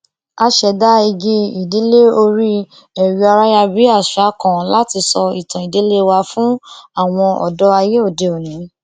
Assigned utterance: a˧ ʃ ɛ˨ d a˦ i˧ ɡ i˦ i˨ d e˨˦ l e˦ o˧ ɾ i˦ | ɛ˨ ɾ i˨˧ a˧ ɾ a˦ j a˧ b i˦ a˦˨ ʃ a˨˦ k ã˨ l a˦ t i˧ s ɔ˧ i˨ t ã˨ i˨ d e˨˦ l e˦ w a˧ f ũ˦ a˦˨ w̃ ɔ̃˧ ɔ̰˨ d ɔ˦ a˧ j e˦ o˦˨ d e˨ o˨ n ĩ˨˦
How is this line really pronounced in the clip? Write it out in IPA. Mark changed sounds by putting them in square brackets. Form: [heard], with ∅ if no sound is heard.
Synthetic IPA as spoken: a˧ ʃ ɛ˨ d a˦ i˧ ɡ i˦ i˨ d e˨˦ l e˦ o˧ ɾ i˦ | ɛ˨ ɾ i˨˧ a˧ ɾ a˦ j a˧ b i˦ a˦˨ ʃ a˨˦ k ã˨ l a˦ t i˧ s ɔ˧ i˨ t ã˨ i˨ d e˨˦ l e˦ w a˧ f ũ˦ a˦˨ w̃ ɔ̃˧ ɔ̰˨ d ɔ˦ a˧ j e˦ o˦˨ d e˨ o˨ n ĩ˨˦